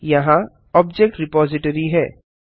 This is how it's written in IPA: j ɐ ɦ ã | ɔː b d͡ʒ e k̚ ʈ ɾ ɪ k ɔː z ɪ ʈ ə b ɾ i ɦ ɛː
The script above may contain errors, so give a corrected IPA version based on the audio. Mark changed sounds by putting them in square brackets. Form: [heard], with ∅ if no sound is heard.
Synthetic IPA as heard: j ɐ ɦ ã | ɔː b d͡ʒ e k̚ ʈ ɾ ɪ [p] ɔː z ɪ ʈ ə [∅] ɾ i ɦ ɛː